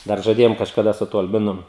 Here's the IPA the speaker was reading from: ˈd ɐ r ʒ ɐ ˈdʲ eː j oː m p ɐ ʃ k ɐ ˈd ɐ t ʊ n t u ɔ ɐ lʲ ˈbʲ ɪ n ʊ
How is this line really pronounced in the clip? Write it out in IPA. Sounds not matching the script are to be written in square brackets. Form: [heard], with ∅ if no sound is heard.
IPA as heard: ˈd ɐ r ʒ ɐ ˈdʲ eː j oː m [k] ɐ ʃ k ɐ ˈd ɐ [s] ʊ [∅] t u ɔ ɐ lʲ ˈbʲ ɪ n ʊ